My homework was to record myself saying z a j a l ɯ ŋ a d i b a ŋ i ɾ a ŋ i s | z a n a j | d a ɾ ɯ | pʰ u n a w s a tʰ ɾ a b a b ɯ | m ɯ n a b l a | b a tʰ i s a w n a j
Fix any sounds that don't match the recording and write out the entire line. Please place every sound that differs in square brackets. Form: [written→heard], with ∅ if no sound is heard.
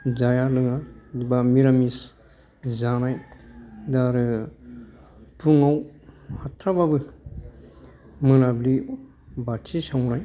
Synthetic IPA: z a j a l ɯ ŋ a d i b a [ŋ→m] i ɾ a [ŋ→m] i s | z a n a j | d a ɾ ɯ | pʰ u [n→ŋ] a w [s→h] a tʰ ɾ a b a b ɯ | m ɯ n a b l [a→i] | b a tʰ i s a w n a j